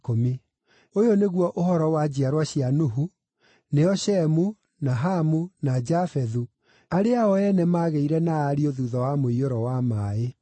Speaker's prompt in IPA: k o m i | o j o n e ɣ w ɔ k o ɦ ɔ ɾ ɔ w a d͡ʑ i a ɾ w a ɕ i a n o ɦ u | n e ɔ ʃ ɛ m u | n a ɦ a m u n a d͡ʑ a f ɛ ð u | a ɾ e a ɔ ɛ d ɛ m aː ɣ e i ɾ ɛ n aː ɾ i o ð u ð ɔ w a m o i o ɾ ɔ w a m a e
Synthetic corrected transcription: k o m i | o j o n e ɣ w ɔ ʔ o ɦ ɔ ɾ ɔ w a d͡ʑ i a ɾ w a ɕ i a n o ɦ u | n e ɔ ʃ ɛ m u | n a ɦ a m u n a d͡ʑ a f ɛ ð u | a ɾ e a ɔ ɛ n ɛ m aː ɣ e i ɾ ɛ n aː ɾ i o ð u ð ɔ w a m o i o ɾ ɔ w a m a e